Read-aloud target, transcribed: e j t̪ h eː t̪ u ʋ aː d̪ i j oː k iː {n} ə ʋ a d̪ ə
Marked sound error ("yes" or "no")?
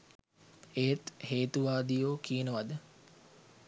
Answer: no